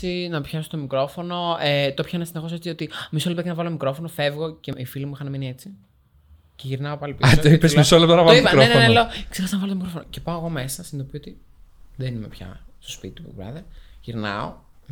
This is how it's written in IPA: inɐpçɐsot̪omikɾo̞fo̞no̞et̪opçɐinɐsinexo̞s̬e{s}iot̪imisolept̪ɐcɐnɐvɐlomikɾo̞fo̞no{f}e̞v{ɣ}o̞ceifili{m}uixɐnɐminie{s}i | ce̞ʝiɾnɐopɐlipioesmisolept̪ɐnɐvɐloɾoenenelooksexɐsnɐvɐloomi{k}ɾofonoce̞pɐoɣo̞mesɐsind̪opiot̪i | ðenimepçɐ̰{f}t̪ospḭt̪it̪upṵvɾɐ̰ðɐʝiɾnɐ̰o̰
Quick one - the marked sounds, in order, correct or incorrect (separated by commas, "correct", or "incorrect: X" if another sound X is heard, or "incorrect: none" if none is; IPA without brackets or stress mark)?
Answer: incorrect: t͡s, correct, correct, correct, incorrect: t͡s, correct, incorrect: s